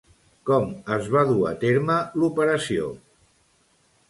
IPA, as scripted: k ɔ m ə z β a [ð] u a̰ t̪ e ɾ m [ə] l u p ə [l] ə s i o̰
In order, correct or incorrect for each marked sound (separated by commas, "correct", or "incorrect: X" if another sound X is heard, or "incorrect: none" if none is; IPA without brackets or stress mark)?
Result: correct, correct, incorrect: ɾ